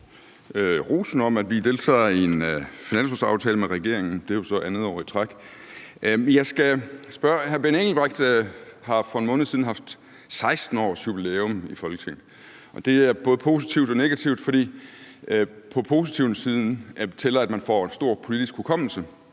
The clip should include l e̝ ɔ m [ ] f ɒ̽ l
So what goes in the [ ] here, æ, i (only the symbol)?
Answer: i